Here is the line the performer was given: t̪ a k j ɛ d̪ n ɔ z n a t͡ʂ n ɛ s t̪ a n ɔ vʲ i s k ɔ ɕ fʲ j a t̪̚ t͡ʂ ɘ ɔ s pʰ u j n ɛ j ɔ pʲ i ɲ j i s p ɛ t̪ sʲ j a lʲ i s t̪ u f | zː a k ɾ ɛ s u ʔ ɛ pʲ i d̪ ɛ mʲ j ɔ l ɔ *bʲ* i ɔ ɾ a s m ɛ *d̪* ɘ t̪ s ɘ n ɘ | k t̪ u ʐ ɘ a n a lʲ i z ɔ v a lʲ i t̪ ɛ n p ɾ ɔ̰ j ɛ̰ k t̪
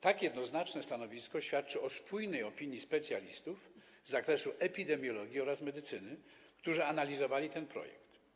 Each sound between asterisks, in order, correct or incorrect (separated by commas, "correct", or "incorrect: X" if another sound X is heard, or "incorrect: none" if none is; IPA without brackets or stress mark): incorrect: ɡʲ, correct